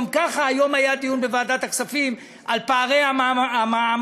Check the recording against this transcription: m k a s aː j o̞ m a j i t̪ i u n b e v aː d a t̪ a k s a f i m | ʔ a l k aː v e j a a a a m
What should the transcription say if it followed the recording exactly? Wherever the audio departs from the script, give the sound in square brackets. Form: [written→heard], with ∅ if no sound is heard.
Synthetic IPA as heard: m k a [s→χ] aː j o̞ m a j [i→a] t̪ i u n b e v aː d a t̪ a k s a f i m | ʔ a l [k→p] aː [v→ʁ] e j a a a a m